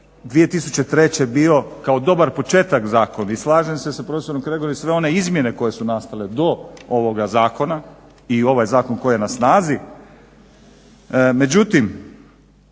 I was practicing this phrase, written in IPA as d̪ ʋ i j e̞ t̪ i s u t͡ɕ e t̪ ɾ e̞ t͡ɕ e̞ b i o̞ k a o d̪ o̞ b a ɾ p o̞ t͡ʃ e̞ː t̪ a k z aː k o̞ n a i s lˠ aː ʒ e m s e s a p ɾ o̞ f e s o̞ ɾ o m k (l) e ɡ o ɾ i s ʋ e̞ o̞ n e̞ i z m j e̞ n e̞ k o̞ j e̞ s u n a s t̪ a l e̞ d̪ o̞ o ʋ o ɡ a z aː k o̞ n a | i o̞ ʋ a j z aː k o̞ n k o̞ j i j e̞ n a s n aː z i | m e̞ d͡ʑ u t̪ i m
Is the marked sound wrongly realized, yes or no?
yes